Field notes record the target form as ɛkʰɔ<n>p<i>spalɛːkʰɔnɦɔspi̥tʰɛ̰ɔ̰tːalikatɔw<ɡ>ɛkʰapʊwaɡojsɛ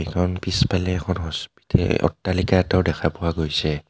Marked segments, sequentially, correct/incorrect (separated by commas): correct, correct, incorrect